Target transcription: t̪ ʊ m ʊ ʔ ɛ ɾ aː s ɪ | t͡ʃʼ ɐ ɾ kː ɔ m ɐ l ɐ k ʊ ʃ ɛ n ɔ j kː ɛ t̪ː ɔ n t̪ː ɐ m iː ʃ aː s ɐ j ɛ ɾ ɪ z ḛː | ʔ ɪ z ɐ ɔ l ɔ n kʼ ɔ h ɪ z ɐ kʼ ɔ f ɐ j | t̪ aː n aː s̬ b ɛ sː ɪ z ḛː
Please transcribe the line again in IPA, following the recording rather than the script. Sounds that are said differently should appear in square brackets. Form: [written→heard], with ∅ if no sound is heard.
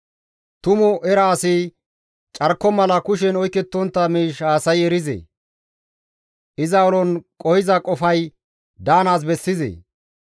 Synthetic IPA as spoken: t̪ ʊ m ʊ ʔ ɛ ɾ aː s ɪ | t͡ʃʼ ɐ ɾ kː ɔ m ɐ l ɐ k ʊ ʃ ɛ n ɔ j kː ɛ t̪ː ɔ n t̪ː ɐ m iː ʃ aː s ɐ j ɛ ɾ ɪ z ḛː | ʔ ɪ z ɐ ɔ l ɔ n kʼ ɔ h ɪ z ɐ kʼ ɔ f ɐ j | [t̪→d̪] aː n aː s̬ b ɛ sː ɪ z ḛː